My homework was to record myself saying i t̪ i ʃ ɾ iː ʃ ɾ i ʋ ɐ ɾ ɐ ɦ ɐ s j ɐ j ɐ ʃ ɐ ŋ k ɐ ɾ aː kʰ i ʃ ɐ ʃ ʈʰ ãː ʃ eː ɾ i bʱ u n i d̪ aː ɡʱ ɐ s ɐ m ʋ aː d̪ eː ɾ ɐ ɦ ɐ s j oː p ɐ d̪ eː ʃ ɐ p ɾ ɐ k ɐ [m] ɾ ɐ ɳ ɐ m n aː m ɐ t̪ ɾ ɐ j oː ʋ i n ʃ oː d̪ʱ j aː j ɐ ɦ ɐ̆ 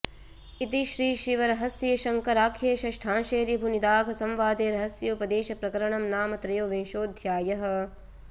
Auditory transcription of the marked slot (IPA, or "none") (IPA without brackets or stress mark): none